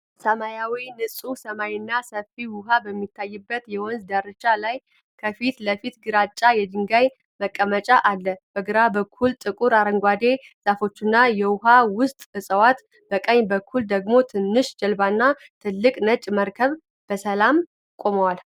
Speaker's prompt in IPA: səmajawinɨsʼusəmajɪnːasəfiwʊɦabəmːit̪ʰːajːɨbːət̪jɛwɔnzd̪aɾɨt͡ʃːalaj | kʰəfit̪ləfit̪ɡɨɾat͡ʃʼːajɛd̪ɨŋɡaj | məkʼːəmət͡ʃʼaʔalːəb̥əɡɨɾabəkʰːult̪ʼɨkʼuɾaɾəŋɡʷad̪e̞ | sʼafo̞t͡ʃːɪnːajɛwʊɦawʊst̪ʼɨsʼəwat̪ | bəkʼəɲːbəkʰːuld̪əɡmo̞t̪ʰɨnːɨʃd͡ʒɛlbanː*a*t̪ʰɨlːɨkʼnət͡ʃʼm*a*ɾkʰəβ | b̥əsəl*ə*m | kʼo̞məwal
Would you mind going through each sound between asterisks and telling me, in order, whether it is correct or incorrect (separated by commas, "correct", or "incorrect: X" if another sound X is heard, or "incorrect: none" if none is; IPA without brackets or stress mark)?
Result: correct, incorrect: ə, incorrect: a